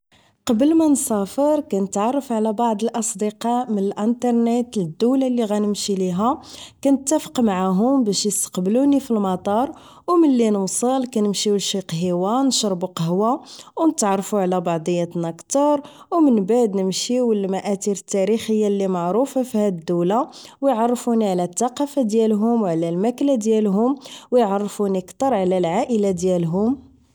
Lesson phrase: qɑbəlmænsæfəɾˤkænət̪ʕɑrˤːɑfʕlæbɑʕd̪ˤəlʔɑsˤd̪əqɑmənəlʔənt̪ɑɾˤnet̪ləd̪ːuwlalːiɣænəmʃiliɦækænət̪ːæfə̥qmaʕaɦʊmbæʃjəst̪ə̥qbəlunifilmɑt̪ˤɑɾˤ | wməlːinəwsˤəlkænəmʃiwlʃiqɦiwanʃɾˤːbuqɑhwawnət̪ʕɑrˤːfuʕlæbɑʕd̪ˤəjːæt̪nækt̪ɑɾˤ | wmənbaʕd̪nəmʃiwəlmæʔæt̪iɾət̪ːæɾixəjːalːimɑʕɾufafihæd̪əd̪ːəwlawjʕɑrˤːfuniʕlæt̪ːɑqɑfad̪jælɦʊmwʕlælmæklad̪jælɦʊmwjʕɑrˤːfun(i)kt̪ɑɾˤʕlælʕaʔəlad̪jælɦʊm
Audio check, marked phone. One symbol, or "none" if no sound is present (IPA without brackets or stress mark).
i